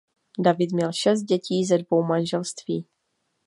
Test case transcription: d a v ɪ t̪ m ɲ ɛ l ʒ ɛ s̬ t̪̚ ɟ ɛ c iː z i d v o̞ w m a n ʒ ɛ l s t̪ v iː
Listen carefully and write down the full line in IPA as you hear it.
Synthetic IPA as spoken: d a v ɪ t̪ m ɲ ɛ l ʃ ɛ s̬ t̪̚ ɟ ɛ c iː z ɛ d v o̞ w m a n ʒ ɛ l s t̪ v iː

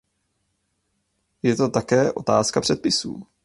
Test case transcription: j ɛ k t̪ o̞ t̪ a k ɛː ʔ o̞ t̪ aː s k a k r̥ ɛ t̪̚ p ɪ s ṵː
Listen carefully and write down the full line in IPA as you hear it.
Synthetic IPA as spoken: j ɛ t̪ o̞ t̪ a k ɛː ʔ o̞ t̪ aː s k a p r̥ ɛ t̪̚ p ɪ s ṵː

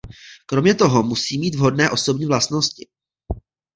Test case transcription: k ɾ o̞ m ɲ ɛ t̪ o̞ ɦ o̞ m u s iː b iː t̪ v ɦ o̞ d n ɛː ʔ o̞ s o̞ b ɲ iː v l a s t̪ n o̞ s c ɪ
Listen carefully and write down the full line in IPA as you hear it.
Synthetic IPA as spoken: k ɾ o̞ m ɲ ɛ t̪ o̞ ɦ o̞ m u s iː m iː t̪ v ɦ o̞ d n ɛː ʔ o̞ s o̞ b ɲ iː v l a s t̪ n o̞ s c ɪ

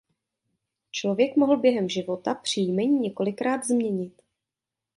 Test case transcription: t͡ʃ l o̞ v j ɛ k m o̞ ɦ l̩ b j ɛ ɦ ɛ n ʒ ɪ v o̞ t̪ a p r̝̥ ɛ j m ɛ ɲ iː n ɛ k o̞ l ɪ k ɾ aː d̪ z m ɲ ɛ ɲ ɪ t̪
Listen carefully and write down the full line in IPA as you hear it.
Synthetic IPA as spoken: t͡ʃ l o̞ v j ɛ k m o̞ ɦ l̩ b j ɛ ɦ ɛ m ʒ ɪ v o̞ t̪ a p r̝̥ i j m ɛ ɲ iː ɲ ɛ k o̞ l ɪ k ɾ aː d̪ z m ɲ ɛ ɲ ɪ t̪

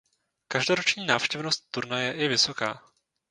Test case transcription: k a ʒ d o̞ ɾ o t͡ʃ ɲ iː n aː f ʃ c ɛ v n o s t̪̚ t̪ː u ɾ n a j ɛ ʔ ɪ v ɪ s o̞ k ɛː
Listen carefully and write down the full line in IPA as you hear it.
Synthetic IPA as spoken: k a ʒ d o̞ ɾ o t͡ʃ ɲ iː n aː f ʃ c ɛ v n o s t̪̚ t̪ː u ɾ n a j ɛ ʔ ɪ v ɪ s o̞ k aː

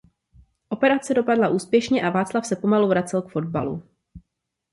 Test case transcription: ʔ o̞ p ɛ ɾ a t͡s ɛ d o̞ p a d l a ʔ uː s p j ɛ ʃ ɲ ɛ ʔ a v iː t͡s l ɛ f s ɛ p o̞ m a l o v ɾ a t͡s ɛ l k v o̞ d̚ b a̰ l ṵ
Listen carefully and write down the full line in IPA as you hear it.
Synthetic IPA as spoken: ʔ o̞ p ɛ ɾ a t͡s ɛ d o̞ p a d l a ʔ uː s p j ɛ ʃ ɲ ɛ ʔ a v aː t͡s l a f s ɛ p o̞ m a l u v ɾ a t͡s ɛ l k f o̞ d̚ b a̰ l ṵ

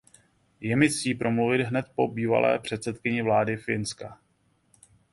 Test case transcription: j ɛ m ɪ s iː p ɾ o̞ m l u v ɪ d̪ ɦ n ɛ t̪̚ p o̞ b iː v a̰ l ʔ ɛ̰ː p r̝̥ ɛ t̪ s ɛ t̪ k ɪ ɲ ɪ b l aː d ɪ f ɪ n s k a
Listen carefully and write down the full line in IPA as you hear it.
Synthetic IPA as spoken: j ɛ m ɪ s iː p ɾ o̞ m l u v ɪ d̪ ɦ n ɛ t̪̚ p o̞ b iː v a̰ l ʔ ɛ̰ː p r̝̥ ɛ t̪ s ɛ t̪ k ɪ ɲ ɪ v l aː d ɪ f ɪ n s k a

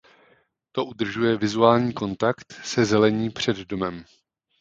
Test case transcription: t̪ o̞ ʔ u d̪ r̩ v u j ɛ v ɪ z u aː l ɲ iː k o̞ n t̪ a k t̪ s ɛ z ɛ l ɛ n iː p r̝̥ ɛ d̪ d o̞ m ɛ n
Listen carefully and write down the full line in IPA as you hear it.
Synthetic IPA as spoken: t̪ o̞ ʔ u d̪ r̩ ʒ u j ɛ v ɪ z u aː l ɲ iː k o̞ n t̪ a k t̪ s ɛ z ɛ l ɛ ɲ iː p r̝̥ ɛ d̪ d o̞ m ɛ m

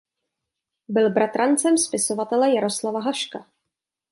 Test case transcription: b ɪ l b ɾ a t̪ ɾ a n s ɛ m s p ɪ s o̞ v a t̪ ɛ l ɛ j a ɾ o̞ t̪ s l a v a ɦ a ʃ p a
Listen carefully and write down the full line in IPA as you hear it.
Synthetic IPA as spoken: b ɪ l b ɾ a t̪ ɾ a n t͡s ɛ m s p ɪ s o̞ v a t̪ ɛ l ɛ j a ɾ o̞ s l a v a ɦ a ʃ k a

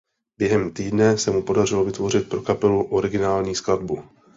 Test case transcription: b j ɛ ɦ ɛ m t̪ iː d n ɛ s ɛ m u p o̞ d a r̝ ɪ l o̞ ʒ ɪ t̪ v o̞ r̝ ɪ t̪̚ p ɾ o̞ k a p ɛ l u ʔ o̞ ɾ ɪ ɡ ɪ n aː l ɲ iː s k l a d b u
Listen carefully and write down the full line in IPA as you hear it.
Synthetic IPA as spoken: b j ɛ ɦ ɛ m t̪ iː d n ɛ s ɛ m u p o̞ d a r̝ ɪ l o̞ v ɪ t̪ v o̞ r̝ ɪ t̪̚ p ɾ o̞ k a p ɛ l u ʔ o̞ ɾ ɪ ɡ ɪ n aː l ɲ iː s k l a d b u

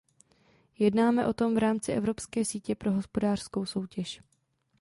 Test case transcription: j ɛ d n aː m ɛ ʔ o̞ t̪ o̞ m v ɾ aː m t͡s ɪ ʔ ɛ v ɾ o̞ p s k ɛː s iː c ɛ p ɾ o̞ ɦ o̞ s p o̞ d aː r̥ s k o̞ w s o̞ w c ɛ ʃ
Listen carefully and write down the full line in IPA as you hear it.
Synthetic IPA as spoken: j ɛ d n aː m ɛ ʔ o̞ t̪ o̞ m v ɾ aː m t͡s ɪ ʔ ɛ v ɾ o̞ p s k ɛː s iː c ɛ p ɾ o̞ ɦ o̞ s p o̞ d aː r̥ s k o̞ w s o̞ w c ɛ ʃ

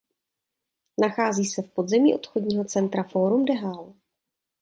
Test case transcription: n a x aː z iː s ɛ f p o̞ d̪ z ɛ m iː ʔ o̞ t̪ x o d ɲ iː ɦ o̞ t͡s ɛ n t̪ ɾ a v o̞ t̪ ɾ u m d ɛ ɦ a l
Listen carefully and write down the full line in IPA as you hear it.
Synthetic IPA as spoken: n a x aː z iː s ɛ f p o̞ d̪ z ɛ m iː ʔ o̞ t̪ x o d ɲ iː ɦ o̞ t͡s ɛ n t̪ ɾ a f o̞ ɾ u m d ɛ ɦ a l

